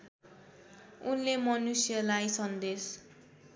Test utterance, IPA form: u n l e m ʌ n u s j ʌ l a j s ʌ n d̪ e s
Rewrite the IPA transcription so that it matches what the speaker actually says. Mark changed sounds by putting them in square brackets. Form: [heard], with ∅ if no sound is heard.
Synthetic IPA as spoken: u n l e m ʌ n u s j ʌ l a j s ʌ n d̪ e s

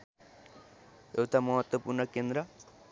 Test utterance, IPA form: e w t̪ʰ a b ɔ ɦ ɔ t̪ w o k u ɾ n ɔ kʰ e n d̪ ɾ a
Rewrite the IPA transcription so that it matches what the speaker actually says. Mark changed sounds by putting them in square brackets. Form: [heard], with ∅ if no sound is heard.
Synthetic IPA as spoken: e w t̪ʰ a [m] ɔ ɦ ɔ t̪ w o [p] u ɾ n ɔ [k] e n d̪ ɾ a

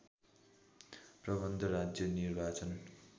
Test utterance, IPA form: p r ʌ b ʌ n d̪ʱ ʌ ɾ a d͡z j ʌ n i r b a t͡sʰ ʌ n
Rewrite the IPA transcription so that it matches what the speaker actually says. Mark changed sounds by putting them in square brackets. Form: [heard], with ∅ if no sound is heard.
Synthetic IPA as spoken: p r ʌ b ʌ n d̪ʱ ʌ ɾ a d͡z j ʌ n i r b a [t͡s] ʌ n

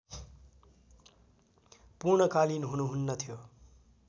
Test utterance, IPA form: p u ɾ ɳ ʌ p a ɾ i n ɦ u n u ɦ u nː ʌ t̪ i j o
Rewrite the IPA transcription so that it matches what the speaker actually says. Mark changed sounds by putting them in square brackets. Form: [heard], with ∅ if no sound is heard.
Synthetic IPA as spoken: p u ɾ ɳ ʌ [k] a [l] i n ɦ u n u ɦ u nː ʌ [t̪ʰ] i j o

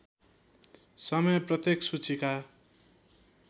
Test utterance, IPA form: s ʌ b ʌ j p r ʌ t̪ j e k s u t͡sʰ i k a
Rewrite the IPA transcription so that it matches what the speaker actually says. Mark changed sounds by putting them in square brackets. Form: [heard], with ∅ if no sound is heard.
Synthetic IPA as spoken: s ʌ [m] ʌ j p r ʌ t̪ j e k s u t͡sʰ i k a

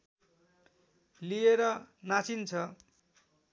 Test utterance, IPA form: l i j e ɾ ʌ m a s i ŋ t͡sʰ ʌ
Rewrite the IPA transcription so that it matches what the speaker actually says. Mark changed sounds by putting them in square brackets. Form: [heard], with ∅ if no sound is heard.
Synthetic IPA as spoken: l i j e ɾ ʌ [n] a [t͡s] i [n] t͡sʰ ʌ

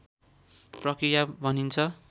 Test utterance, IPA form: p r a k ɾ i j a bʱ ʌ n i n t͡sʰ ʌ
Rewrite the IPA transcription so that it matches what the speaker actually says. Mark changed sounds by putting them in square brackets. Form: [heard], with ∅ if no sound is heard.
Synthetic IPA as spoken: p r [ʌ] k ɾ i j a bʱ ʌ n i n t͡sʰ ʌ

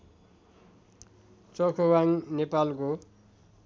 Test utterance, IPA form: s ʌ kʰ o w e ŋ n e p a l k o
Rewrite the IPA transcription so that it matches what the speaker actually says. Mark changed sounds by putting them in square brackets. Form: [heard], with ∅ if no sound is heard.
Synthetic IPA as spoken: [t͡s] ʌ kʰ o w [a] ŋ n e p a l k o

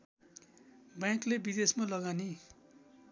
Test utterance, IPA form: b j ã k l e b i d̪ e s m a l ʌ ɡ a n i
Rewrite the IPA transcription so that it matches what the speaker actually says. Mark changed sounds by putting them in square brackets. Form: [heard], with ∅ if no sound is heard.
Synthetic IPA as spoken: b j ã k l e b i d̪ e s m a l ʌ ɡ a n i

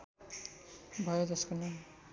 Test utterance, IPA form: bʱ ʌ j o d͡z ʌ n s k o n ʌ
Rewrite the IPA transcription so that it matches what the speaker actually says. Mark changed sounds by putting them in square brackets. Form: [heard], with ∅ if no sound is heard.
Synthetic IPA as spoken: bʱ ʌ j o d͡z ʌ [∅] s k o n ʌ

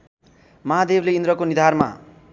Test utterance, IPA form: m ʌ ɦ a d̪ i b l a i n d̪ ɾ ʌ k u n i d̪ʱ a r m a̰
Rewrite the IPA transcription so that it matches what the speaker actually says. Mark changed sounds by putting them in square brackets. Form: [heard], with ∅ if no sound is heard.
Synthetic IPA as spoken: m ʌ ɦ a d̪ [e] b l [e] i n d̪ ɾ ʌ k [o] n i d̪ʱ a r m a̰

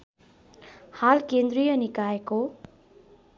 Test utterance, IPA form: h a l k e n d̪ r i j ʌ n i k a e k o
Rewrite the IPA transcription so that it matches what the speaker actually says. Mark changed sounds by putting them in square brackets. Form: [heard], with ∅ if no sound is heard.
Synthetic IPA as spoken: h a l k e n d̪ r i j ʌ n i k a e k o

